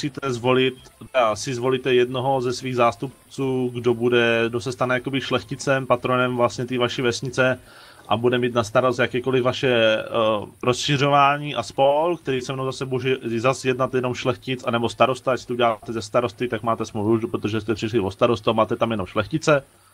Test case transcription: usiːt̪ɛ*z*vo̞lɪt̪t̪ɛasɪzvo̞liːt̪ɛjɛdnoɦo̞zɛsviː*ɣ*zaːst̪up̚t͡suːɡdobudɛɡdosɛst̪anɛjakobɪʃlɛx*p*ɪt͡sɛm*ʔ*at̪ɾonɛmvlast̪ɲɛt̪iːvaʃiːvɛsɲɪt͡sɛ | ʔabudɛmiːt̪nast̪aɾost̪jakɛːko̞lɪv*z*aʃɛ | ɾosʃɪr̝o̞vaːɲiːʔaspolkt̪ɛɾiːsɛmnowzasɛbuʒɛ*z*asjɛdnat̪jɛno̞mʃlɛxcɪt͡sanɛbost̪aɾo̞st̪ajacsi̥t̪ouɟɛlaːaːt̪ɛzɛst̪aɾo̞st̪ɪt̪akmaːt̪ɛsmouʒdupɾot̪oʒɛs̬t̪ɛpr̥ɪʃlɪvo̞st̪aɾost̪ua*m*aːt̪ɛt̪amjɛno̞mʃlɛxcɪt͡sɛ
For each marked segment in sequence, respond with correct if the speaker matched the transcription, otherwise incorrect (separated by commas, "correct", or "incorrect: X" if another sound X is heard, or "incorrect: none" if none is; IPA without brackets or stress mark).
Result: correct, correct, incorrect: c, incorrect: p, incorrect: v, correct, correct